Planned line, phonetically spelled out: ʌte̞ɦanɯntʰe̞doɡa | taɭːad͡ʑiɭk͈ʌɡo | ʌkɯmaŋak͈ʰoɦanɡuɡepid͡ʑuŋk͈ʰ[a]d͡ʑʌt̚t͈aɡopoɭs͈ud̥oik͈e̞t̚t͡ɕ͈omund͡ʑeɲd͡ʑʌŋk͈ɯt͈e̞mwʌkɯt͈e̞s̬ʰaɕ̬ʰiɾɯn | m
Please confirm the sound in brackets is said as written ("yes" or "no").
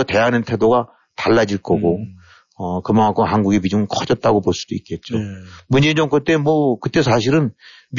no